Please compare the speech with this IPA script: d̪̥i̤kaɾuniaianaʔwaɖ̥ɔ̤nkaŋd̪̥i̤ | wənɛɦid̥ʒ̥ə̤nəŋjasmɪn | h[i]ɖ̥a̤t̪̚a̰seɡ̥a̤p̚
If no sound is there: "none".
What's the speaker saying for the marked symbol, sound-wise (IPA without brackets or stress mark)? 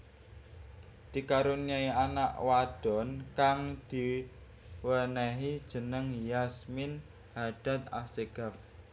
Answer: a